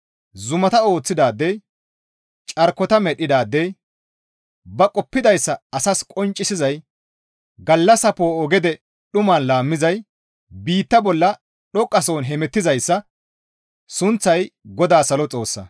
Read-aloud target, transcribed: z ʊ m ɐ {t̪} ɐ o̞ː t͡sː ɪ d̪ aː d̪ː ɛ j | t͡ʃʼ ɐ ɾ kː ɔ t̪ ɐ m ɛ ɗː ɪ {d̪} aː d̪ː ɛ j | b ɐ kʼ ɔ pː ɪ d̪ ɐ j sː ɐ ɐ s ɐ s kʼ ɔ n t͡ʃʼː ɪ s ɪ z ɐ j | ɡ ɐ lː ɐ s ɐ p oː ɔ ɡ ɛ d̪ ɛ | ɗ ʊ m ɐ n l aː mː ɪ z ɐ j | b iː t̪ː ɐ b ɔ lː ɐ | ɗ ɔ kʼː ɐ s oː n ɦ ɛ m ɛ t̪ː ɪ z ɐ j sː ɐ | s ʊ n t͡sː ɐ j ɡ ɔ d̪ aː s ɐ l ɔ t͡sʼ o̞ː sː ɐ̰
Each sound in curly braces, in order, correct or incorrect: correct, correct

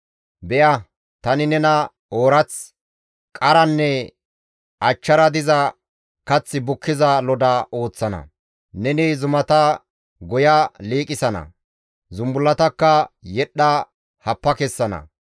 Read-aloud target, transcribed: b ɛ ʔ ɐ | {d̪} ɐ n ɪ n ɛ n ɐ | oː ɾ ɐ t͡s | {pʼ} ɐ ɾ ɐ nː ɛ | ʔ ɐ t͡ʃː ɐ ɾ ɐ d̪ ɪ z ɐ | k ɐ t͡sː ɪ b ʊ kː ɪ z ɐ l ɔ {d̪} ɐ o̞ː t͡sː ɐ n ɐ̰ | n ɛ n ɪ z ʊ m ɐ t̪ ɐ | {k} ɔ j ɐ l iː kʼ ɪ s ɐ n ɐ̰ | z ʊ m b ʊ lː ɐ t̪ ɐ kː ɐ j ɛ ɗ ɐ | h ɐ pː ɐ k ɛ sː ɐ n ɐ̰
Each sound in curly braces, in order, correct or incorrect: incorrect: t̪, incorrect: kʼ, correct, incorrect: ɡ

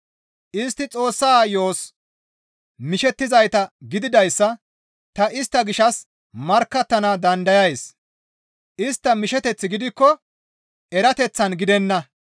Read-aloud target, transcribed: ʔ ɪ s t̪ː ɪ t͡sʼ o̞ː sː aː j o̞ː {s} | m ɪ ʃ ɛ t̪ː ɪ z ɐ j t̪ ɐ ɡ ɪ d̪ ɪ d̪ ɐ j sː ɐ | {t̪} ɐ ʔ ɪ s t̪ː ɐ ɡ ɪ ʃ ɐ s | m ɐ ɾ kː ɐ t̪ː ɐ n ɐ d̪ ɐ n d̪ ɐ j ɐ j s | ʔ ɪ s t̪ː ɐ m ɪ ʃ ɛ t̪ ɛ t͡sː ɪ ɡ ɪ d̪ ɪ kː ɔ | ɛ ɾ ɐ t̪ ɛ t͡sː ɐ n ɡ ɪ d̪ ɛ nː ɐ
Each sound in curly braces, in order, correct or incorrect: correct, correct

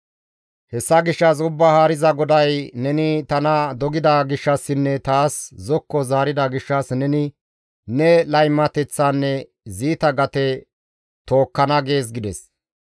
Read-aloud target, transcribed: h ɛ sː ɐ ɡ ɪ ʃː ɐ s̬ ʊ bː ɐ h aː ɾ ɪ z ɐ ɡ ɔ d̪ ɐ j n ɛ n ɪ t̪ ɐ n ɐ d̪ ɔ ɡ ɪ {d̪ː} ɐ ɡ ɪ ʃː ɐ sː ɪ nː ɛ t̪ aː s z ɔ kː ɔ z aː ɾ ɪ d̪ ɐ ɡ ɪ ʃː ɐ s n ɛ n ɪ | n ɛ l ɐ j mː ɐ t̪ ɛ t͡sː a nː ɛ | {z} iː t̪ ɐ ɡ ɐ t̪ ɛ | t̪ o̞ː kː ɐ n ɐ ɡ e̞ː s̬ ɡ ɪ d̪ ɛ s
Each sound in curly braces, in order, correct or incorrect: incorrect: d̪, correct

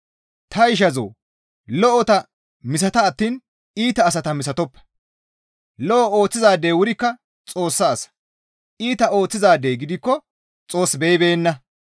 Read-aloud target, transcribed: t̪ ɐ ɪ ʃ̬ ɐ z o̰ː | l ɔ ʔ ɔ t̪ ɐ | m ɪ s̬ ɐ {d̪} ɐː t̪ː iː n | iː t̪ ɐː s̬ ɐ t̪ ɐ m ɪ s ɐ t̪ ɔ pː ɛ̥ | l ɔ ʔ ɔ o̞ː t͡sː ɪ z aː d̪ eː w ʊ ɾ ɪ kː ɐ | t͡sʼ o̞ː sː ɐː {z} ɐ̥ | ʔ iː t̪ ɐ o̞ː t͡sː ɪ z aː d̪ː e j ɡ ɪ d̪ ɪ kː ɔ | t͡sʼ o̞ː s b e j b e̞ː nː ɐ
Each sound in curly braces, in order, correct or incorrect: incorrect: t̪, incorrect: s

